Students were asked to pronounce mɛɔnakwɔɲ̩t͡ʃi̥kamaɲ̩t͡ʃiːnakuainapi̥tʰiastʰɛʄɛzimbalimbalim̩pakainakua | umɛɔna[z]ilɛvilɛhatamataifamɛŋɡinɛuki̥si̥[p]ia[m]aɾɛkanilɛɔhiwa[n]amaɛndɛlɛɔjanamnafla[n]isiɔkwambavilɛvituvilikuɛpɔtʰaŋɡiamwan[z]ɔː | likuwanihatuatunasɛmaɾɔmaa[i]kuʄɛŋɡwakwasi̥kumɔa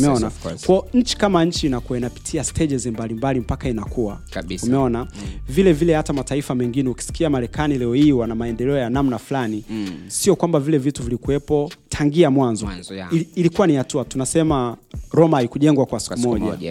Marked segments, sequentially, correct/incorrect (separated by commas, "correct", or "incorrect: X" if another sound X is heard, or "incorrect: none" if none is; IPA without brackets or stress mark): incorrect: v, incorrect: k, correct, correct, correct, correct, correct